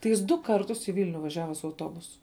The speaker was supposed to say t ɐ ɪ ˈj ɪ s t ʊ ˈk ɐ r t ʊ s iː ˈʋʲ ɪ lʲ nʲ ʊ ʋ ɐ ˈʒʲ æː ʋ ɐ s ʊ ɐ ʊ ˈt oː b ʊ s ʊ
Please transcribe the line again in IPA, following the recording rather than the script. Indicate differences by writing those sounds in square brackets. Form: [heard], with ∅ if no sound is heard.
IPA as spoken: t ɐ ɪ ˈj ɪ s [d] ʊ ˈk ɐ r t ʊ s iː ˈʋʲ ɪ lʲ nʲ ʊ ʋ ɐ ˈʒʲ æː ʋ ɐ s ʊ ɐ ʊ ˈt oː b ʊ s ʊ